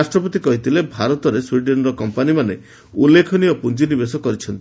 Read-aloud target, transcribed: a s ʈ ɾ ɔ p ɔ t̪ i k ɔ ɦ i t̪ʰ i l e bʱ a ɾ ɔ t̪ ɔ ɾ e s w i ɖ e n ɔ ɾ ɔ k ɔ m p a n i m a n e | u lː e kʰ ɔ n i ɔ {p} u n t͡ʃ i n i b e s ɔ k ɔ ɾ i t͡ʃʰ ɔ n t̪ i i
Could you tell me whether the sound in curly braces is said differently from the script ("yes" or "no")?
no